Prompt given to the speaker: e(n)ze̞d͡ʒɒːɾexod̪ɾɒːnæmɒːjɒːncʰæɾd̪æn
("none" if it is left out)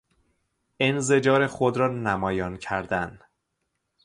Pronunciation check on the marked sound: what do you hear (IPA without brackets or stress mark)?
n